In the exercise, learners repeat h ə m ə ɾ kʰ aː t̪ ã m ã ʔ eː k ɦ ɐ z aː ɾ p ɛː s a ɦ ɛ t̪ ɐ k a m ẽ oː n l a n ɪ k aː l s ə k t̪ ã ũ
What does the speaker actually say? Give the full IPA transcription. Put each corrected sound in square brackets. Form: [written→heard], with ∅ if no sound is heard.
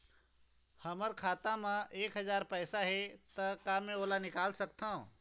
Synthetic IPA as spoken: h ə m ə ɾ kʰ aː t̪ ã m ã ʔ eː k ɦ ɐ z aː ɾ p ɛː s a ɦ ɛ t̪ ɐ k a m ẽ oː [n→∅] l a n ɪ k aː l s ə k t̪ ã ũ

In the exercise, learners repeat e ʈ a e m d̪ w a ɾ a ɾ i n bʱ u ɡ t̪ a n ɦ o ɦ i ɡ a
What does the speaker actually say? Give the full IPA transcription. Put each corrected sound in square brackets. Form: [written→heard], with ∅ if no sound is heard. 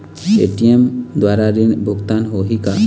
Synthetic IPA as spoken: e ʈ [a→i] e m d̪ w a ɾ a ɾ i n bʱ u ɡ t̪ a n ɦ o ɦ i [ɡ→k] a

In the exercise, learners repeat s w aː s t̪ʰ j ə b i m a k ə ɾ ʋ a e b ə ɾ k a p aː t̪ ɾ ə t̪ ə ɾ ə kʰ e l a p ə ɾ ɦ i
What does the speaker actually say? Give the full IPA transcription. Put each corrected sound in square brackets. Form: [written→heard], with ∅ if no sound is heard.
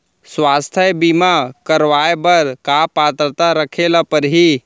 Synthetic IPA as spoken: s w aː s t̪ʰ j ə b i m a k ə ɾ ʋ a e b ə ɾ k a p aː t̪ ɾ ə t̪ [ə→a] ɾ ə kʰ e l a p ə ɾ ɦ i

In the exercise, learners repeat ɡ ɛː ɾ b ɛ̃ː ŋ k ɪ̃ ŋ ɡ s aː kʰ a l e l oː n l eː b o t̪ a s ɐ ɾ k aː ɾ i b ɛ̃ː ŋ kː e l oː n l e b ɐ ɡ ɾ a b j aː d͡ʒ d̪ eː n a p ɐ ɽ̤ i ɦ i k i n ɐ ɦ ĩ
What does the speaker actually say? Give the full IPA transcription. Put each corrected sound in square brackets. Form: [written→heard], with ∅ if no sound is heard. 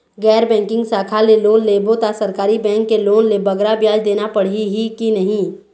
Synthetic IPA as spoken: ɡ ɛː ɾ b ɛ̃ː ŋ k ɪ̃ ŋ ɡ s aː kʰ a l e l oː n l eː b o t̪ a s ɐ ɾ k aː ɾ i b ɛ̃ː ŋ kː e l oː n l e b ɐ ɡ ɾ a b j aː d͡ʒ d̪ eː n a p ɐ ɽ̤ i ɦ i k i n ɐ ɦ ĩ

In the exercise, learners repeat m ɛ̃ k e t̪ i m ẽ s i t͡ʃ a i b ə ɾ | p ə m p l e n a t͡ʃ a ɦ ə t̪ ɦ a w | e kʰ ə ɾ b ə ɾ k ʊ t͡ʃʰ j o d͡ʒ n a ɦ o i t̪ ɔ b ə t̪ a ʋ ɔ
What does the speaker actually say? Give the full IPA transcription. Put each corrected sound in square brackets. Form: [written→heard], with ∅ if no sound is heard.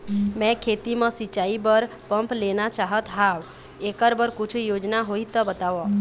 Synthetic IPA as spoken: m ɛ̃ [k→kʰ] e t̪ i m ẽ s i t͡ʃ a i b ə ɾ | p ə m p l e n a t͡ʃ a ɦ ə t̪ ɦ a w | e [kʰ→k] ə ɾ b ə ɾ k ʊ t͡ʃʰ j o d͡ʒ n a ɦ o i t̪ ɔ b ə t̪ a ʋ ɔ

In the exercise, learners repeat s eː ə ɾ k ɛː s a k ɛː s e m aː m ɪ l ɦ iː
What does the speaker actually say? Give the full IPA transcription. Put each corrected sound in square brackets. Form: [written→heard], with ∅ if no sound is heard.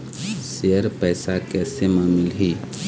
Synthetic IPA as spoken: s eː ə ɾ [k→p] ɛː s a k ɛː s e m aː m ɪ l ɦ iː

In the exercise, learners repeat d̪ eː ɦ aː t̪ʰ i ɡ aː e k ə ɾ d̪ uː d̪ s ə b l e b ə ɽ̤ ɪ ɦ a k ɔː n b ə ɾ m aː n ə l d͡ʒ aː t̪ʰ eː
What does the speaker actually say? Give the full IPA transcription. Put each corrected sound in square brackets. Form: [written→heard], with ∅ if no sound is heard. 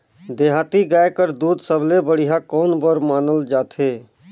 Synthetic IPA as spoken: d̪ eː ɦ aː [t̪ʰ→t̪] i ɡ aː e k ə ɾ d̪ uː d̪ s ə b l e b ə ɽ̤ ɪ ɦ a k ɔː n b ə ɾ m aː n ə l d͡ʒ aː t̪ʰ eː

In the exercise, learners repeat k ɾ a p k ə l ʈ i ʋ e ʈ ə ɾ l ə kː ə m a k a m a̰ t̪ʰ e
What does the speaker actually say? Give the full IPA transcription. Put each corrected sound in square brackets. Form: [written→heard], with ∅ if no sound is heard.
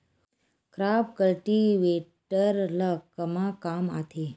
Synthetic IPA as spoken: k ɾ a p k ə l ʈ i ʋ e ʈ ə ɾ l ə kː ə m a k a m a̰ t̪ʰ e

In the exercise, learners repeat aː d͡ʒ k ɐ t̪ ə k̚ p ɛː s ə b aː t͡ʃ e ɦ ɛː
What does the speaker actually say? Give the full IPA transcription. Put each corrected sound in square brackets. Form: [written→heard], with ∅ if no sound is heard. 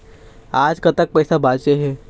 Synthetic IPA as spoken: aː d͡ʒ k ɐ t̪ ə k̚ p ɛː s [ə→a] b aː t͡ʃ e ɦ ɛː

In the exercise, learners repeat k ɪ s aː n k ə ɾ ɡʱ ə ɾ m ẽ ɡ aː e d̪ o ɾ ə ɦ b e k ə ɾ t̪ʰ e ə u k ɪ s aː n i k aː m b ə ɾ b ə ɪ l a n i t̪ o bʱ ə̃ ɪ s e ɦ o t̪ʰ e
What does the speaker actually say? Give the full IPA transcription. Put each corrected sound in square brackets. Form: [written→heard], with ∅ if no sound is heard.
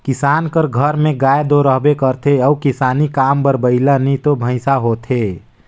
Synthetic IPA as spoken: k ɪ s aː n k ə ɾ ɡʱ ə ɾ m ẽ ɡ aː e d̪ o ɾ ə ɦ b e k ə ɾ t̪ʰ e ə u k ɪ s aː n i k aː m b ə ɾ b ə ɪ l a n i t̪ o bʱ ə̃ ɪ s [e→a] ɦ o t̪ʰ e

